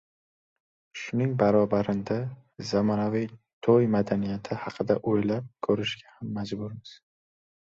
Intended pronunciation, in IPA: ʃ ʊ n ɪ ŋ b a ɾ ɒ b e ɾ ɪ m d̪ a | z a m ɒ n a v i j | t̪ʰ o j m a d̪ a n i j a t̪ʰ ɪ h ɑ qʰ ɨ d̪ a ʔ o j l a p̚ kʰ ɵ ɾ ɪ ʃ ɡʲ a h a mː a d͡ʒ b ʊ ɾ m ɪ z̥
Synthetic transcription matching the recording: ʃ ʊ n ɪ ŋ b a ɾ ɒ b a ɾ ɪ n d̪ a | z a m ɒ n a v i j | t̪ʰ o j m a d̪ a n i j a t̪ʰ ɪ h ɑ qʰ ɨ d̪ a ʔ o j l a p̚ kʰ ɵ ɾ ɪ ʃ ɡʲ a h a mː a d͡ʒ b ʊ ɾ m ɪ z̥